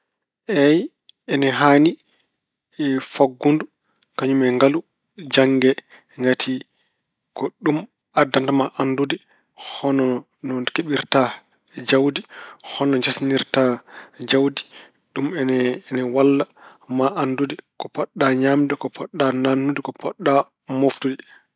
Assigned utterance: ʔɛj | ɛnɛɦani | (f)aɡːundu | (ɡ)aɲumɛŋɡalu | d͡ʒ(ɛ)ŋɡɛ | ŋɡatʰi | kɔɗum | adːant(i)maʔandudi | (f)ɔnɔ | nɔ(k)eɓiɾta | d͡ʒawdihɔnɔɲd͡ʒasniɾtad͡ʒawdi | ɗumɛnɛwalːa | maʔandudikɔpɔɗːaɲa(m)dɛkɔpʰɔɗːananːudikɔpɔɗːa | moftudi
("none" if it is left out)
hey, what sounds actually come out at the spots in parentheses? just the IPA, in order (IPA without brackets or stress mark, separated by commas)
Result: f, k, a, a, h, k, m